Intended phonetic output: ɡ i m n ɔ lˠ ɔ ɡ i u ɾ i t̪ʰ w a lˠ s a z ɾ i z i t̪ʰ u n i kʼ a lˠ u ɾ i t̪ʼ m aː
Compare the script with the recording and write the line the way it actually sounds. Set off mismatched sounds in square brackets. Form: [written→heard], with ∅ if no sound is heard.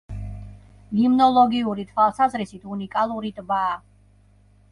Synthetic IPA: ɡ i m n ɔ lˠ ɔ ɡ i u ɾ i t̪ʰ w a lˠ s a z ɾ i [z→s] i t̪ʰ u n i kʼ a lˠ u ɾ i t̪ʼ [m→b] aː